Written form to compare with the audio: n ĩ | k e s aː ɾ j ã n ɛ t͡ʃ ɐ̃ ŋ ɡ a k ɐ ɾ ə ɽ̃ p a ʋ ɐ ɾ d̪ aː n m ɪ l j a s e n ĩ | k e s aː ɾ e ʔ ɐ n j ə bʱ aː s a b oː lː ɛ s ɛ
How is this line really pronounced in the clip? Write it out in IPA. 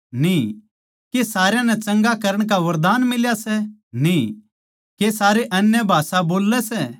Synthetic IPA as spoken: n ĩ | k e s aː ɾ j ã n ɛ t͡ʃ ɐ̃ ŋ ɡ a k ɐ ɾ ə ɽ̃ k a ʋ ɐ ɾ d̪ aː n m ɪ l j a s ɛ n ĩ | k e s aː ɾ e ʔ ɐ n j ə bʱ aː s a b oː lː ɛ s ɛ